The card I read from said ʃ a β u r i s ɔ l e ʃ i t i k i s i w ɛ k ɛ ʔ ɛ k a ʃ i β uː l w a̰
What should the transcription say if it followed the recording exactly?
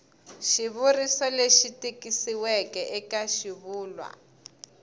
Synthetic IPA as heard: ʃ i β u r i s ɔ l e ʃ i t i k i s i w ɛ k ɛ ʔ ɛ k a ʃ i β uː l w a̰